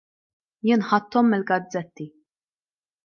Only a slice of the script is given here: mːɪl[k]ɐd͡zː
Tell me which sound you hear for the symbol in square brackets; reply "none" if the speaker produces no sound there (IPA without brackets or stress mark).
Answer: ɡ